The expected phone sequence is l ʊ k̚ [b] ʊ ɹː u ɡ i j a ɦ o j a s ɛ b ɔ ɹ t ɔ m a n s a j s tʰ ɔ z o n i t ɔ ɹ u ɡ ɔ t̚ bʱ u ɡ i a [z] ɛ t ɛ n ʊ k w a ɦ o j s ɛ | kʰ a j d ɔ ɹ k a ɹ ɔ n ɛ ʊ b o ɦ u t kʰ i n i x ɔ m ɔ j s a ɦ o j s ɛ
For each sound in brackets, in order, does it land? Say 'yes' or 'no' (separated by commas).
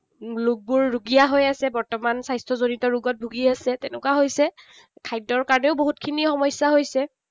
yes, no